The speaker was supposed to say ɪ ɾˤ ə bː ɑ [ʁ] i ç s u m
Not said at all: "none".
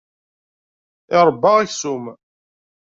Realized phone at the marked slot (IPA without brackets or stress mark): ʁ